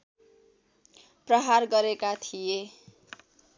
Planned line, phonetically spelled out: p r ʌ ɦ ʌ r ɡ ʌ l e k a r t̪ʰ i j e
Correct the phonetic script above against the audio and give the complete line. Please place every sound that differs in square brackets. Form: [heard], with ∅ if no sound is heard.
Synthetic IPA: p r ʌ ɦ [a] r ɡ ʌ [ɾ] e k a [∅] t̪ʰ i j e